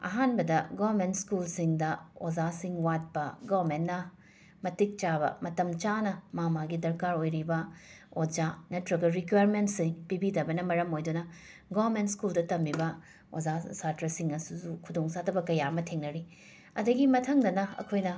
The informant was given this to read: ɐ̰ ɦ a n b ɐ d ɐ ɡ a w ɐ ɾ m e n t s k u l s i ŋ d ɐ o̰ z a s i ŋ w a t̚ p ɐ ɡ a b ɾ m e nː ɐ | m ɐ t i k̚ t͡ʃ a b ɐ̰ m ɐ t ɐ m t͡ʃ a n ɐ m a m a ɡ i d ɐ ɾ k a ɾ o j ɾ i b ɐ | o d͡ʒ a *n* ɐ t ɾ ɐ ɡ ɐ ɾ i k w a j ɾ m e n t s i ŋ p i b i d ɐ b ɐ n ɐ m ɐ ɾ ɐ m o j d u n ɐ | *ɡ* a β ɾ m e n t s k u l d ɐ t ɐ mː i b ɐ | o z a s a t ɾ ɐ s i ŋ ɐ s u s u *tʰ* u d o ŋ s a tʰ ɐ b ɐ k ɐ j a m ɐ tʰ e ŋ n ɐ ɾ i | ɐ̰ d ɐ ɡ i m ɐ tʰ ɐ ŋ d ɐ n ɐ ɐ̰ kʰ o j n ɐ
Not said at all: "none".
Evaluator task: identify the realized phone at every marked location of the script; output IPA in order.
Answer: n, ɡ, kʰ

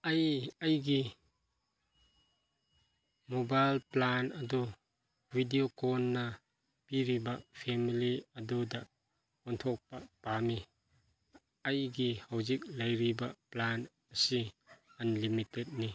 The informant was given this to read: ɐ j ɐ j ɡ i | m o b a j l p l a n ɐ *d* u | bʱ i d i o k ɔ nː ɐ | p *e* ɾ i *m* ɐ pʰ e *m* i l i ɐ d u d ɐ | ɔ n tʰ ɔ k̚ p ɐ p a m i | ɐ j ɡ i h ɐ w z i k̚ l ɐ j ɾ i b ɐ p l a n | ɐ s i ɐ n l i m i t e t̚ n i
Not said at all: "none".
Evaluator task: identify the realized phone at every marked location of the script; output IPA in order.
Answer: d, i, b, m

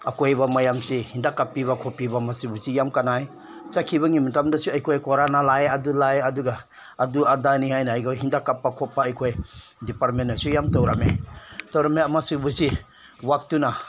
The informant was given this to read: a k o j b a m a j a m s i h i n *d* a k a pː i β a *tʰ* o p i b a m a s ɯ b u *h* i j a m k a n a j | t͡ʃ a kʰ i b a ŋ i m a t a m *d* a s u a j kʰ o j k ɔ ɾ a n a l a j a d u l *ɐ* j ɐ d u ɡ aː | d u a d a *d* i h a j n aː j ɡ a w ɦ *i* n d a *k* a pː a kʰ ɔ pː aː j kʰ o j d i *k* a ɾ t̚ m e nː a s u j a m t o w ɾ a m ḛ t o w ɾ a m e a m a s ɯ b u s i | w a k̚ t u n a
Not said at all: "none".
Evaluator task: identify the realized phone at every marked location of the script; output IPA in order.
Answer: d, kʰ, s, d, a, n, i, k, p

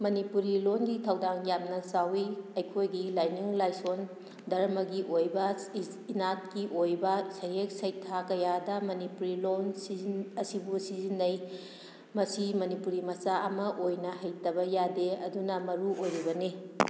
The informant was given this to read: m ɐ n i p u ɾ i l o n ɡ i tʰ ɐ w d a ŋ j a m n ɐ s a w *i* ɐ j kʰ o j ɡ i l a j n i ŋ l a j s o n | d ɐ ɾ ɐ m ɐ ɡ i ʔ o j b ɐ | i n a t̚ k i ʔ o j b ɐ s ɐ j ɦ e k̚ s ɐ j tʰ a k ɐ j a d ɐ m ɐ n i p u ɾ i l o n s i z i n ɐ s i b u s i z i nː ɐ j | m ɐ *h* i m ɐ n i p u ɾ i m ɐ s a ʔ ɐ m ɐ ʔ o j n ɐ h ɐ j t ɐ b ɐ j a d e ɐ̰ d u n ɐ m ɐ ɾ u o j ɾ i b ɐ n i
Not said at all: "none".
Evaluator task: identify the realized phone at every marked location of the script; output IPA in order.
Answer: i, s

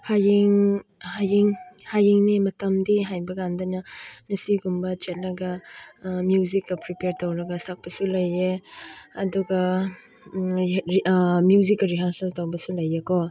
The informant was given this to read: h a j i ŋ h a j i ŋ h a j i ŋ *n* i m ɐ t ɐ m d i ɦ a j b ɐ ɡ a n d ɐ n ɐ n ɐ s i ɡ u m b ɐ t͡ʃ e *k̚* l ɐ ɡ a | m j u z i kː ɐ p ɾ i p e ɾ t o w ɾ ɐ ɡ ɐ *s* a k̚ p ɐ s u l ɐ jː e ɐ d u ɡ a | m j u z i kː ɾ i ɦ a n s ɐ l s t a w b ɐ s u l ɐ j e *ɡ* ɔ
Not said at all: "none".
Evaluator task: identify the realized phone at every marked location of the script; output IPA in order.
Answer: n, t̚, s, k

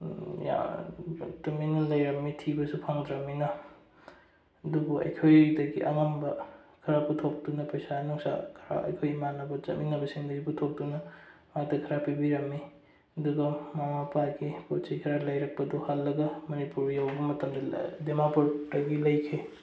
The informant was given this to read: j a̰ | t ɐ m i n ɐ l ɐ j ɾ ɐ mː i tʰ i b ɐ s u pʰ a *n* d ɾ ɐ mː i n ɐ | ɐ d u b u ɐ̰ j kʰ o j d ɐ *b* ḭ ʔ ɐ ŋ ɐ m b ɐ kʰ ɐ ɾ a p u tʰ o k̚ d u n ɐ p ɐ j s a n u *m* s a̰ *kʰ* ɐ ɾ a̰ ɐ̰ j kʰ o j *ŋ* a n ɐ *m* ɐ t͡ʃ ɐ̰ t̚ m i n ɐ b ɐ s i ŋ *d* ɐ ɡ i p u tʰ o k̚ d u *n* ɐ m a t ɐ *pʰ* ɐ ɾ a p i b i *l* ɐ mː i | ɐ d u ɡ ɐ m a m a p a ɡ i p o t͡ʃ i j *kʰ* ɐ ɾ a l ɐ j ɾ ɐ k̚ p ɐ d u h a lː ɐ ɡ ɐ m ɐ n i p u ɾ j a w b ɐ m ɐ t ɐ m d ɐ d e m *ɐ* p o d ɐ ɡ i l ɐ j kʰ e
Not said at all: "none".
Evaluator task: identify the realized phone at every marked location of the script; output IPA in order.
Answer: ŋ, ɡ, ŋ, kʰ, m, b, d, n, kʰ, ɾ, kʰ, a

